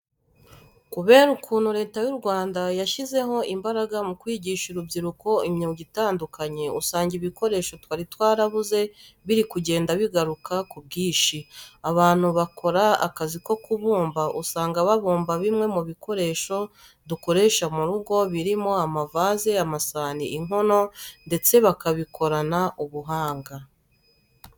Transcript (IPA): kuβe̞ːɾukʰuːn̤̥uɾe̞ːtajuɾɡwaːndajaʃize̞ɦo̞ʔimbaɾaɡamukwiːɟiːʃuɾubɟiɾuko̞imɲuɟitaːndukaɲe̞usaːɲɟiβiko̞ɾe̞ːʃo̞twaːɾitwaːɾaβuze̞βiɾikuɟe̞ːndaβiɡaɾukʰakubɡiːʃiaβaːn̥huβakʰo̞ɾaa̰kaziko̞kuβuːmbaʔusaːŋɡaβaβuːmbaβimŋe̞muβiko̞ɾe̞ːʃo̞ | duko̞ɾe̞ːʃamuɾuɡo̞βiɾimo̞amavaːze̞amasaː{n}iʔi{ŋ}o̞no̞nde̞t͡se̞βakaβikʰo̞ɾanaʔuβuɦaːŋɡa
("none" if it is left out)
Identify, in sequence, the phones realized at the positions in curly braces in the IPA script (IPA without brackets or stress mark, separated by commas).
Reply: n, ŋ